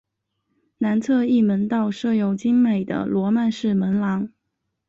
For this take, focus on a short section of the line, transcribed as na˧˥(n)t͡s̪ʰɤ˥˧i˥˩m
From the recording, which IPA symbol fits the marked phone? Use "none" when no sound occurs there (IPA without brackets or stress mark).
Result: n